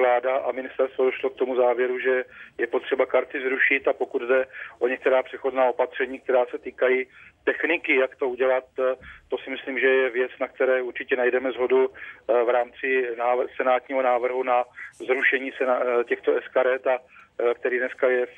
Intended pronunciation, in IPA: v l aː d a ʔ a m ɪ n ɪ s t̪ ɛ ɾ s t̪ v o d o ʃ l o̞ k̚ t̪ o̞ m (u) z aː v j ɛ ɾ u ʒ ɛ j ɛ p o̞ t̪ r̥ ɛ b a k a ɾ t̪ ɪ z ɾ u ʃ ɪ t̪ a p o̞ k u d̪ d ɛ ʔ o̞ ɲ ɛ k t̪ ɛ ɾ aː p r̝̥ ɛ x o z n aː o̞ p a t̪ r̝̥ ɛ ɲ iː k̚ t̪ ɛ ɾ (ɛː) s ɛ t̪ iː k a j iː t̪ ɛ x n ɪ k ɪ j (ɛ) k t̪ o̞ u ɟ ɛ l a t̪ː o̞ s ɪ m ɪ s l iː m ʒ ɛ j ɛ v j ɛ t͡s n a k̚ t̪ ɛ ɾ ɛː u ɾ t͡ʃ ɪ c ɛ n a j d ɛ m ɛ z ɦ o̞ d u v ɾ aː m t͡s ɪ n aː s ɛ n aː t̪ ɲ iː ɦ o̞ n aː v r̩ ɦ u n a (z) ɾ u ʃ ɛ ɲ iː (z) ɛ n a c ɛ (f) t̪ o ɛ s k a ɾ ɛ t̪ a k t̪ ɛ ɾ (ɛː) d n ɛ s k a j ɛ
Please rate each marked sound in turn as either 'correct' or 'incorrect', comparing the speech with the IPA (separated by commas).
correct, incorrect, incorrect, correct, incorrect, incorrect, incorrect